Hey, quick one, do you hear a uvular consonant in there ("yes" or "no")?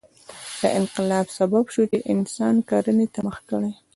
yes